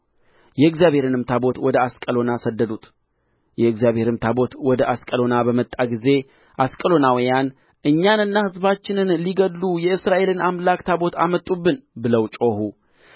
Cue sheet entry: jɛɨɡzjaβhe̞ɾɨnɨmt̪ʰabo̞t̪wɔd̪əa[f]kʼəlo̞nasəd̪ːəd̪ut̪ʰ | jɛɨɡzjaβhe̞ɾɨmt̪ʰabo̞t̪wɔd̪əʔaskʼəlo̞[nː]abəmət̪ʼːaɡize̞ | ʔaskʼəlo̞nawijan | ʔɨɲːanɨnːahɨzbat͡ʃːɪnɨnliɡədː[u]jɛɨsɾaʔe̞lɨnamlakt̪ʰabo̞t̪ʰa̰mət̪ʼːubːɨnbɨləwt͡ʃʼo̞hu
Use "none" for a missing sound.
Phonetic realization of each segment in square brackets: s, n, u

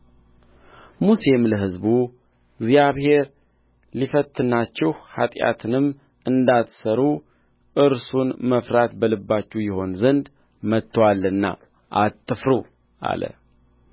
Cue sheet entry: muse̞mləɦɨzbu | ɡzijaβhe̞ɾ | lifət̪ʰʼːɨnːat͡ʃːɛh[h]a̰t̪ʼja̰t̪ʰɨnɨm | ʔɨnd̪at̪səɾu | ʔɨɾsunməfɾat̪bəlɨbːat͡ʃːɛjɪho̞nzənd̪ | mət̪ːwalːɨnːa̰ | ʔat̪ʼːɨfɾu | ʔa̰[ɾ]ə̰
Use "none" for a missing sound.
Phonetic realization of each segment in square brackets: h, l

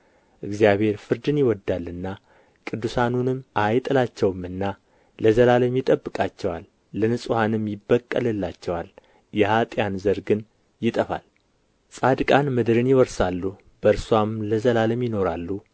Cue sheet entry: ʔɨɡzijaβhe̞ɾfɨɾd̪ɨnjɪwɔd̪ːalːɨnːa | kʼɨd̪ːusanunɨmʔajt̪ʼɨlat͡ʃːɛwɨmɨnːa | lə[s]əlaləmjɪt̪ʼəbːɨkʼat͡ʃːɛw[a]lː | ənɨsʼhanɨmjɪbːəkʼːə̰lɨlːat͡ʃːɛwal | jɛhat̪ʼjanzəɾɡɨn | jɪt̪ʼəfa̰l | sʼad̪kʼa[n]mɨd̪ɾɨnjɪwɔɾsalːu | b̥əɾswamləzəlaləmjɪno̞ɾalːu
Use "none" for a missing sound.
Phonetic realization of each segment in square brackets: z, a, n

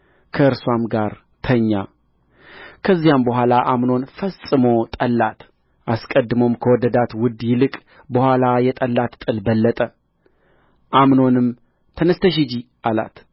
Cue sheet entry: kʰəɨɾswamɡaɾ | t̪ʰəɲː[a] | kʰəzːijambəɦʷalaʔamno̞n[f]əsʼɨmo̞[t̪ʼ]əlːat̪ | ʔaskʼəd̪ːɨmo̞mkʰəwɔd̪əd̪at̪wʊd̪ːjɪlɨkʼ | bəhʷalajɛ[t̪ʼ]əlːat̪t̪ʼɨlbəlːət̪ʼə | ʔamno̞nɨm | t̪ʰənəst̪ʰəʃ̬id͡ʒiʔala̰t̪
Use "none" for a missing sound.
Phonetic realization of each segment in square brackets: a, f, t̪ʼ, t̪ʼ

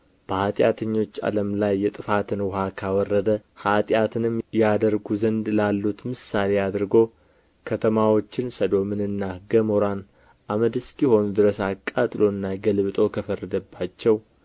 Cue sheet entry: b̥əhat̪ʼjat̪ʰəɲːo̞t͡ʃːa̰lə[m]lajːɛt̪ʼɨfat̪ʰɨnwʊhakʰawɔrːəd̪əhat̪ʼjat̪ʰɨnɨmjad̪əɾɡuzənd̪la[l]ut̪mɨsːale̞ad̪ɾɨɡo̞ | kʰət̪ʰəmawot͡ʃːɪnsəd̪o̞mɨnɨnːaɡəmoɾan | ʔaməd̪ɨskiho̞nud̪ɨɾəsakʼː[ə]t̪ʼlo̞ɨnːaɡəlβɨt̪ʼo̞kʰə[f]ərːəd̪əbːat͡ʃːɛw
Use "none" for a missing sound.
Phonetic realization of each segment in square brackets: m, lː, a, f

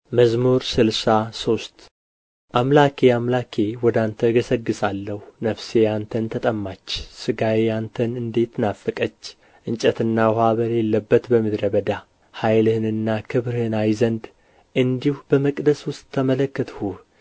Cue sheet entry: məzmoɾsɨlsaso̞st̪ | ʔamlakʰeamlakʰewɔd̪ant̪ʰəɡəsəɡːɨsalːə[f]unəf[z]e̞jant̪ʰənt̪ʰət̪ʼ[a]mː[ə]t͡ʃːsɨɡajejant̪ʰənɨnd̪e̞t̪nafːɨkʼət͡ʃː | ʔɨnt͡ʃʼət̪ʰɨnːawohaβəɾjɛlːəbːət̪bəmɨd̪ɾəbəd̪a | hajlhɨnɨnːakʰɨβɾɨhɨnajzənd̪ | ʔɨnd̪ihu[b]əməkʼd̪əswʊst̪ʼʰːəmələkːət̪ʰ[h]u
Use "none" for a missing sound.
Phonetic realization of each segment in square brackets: h, s, ə, a, b, h

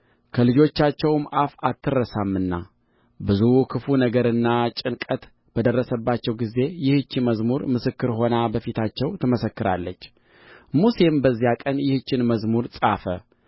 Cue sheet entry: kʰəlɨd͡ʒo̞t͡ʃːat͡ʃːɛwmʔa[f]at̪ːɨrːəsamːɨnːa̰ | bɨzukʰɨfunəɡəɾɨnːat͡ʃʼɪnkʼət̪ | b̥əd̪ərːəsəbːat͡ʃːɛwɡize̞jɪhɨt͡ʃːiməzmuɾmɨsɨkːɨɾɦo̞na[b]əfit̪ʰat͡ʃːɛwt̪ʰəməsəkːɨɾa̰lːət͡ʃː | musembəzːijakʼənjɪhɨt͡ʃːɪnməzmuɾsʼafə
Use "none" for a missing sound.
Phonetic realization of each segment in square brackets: f, b

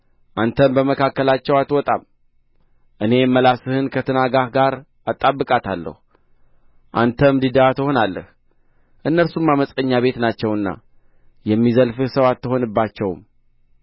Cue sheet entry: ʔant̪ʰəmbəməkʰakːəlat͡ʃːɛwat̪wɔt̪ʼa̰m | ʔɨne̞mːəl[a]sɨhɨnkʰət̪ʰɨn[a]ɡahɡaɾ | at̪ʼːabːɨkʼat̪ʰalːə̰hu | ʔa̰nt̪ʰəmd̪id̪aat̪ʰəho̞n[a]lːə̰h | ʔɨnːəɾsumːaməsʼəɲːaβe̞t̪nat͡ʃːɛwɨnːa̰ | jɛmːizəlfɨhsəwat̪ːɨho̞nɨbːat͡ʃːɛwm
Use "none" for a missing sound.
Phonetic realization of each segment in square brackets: a, a, a

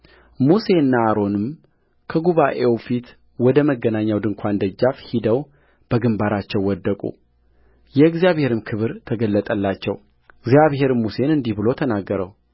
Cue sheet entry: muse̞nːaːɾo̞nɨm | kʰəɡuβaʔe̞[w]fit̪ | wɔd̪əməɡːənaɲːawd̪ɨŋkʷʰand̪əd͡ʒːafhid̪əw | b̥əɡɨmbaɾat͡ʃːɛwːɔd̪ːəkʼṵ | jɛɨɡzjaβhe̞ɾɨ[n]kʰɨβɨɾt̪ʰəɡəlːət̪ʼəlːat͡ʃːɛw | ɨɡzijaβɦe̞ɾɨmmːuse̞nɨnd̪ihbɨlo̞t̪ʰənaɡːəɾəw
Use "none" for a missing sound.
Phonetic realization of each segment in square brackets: w, m

